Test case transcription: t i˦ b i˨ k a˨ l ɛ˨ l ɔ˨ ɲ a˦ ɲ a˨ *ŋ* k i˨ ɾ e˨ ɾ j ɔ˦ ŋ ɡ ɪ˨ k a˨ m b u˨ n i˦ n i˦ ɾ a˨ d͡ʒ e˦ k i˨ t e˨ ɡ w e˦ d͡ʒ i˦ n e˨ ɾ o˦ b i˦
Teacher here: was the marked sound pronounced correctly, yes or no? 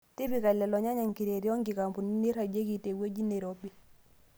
yes